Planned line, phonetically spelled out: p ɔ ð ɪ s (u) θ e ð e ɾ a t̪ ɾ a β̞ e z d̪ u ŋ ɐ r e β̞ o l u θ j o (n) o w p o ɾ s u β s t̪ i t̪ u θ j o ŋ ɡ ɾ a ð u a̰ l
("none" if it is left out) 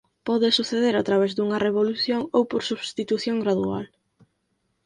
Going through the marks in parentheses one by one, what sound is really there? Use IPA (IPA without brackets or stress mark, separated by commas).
u, ŋ